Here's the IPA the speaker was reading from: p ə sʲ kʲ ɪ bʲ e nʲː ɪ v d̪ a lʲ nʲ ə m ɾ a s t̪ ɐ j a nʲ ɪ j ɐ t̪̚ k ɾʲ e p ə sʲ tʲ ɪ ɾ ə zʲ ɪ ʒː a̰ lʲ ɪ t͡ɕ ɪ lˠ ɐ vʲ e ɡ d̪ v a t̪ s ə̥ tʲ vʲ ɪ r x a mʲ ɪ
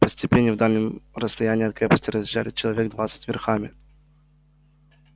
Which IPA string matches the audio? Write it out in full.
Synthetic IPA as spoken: p ə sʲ tʲ ɪ pʲ e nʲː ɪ v d̪ a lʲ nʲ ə m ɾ ə s t̪ ɐ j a nʲ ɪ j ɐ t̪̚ k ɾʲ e p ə sʲ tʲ ɪ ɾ ə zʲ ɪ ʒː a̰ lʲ ɪ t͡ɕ ɪ lˠ ɐ vʲ e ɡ d̪ v a t̪ s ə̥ tʲ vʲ ɪ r x a mʲ ɪ

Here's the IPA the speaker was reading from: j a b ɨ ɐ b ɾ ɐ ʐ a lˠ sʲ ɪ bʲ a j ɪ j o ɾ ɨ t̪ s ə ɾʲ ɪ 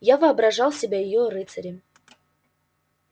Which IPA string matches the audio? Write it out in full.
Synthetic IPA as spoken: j a v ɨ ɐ b ɾ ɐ ʐ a lˠ sʲ ɪ bʲ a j ɪ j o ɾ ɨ t̪ s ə ɾʲ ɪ

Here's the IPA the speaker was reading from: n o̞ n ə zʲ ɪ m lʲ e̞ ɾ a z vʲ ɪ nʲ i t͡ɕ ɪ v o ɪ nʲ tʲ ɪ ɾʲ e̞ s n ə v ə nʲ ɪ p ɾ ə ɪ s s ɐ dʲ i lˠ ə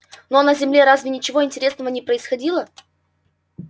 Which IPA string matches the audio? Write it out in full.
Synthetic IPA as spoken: n o̞ n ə zʲ ɪ m lʲ e̞ ɾ a z vʲ ɪ nʲ ɪ t͡ɕ ɪ v o ɪ nʲ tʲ ɪ ɾʲ e̞ s n ə v ə nʲ ɪ p ɾ ə ɪ s x ɐ dʲ i lˠ ə

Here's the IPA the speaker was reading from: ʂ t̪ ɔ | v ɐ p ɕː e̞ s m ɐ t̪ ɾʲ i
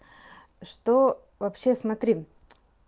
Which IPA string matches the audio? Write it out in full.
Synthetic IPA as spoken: ʂ t̪ o | v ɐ p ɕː e̞ s m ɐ t̪ ɾʲ i

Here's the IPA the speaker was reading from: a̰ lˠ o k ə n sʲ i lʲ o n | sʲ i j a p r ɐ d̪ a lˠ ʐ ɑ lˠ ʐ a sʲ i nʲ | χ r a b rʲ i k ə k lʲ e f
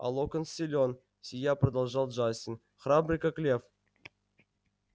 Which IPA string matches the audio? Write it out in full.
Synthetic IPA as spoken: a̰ lˠ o k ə n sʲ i lʲ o n | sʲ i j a p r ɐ d̪ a lˠ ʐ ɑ lˠ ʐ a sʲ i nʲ | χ r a b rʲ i k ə k lʲ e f

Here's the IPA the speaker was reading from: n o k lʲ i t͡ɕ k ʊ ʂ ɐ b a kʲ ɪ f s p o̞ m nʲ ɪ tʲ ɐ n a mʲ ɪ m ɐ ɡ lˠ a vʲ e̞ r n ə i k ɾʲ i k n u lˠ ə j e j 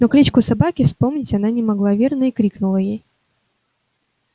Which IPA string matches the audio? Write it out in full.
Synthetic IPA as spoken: n o k lʲ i t͡ɕ k ʊ s ɐ b a kʲ ɪ f s p o̞ m nʲ ɪ tʲ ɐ n a nʲ ɪ m ɐ ɡ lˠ a vʲ e̞ r n ə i k ɾʲ i k n ʊ lˠ ə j e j

